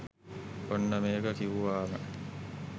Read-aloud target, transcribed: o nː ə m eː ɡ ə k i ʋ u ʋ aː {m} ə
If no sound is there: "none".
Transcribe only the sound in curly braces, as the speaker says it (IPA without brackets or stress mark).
m